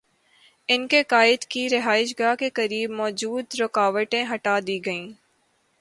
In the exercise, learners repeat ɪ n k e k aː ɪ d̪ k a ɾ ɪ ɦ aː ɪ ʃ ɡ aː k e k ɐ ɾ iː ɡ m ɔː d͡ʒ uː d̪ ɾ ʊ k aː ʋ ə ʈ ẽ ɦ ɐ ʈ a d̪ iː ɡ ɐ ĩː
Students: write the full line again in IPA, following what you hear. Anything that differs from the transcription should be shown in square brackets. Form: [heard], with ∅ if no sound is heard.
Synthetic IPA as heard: ɪ n k e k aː ɪ d̪ k [i] ɾ ɪ ɦ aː ɪ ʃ ɡ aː k e k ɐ ɾ iː [b] m ɔː d͡ʒ uː d̪ ɾ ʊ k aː ʋ ə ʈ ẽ ɦ ɐ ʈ a d̪ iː ɡ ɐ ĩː